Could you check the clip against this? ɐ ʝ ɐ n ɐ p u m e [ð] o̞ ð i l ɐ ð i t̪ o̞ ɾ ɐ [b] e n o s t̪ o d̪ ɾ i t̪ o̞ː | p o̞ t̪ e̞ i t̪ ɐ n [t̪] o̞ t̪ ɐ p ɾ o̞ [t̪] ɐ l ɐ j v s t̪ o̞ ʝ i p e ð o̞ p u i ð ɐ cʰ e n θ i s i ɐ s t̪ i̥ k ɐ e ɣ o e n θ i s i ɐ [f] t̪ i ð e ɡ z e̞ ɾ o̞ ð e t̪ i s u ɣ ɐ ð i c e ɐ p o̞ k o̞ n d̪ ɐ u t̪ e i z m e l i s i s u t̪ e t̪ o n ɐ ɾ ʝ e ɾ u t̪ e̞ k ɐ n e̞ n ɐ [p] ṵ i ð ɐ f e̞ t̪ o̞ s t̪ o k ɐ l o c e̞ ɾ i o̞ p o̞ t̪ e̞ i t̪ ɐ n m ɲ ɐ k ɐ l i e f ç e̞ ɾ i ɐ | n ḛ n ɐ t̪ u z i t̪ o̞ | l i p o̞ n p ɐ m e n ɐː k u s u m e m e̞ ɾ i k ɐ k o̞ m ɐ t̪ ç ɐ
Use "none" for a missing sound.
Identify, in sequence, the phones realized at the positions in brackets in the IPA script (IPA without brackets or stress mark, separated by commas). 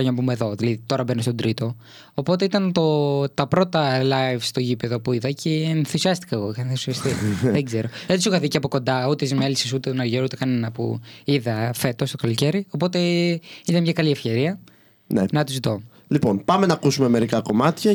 ð, b, t̪, t̪, s, p